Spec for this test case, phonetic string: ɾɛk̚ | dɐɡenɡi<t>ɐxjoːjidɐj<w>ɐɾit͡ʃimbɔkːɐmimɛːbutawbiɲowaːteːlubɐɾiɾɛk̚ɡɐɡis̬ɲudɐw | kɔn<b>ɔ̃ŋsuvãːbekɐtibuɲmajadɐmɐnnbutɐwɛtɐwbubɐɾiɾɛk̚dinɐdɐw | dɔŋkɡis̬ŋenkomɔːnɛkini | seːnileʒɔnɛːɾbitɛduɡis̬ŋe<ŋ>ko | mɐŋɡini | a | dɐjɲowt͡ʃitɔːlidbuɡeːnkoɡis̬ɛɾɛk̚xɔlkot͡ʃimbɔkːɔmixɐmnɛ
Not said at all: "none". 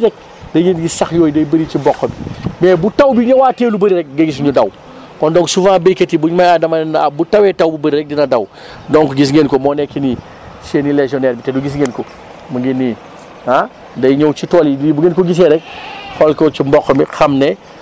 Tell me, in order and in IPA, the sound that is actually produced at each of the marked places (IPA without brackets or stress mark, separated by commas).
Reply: s, b, d, n